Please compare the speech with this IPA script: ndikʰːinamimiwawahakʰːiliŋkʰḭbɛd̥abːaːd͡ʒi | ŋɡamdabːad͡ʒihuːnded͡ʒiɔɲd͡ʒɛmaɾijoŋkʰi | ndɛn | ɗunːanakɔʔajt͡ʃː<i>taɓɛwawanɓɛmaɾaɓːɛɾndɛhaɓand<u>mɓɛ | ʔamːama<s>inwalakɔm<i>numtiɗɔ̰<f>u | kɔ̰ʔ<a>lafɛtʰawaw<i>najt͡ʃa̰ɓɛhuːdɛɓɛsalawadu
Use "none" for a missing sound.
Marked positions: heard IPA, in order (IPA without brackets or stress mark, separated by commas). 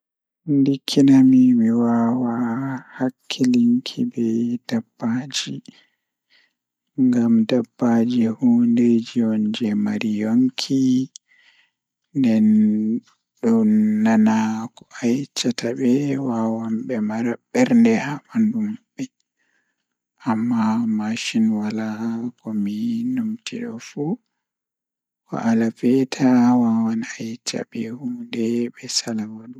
a, u, ʃ, i, f, a, a